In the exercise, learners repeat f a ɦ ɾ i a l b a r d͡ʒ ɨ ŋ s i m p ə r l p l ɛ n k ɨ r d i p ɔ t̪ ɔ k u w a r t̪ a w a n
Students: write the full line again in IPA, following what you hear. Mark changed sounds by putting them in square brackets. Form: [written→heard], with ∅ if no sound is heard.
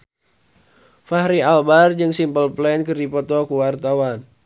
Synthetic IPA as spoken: f a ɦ ɾ i a l b a r d͡ʒ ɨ ŋ s i m p ə [r→∅] l p l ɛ n k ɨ r d i p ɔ t̪ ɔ k u w a r t̪ a w a n